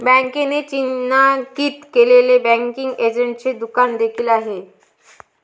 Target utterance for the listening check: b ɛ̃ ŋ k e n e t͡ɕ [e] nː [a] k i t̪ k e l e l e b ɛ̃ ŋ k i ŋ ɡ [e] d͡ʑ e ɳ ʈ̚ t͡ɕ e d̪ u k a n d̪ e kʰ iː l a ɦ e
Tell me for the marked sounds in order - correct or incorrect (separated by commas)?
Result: incorrect, correct, correct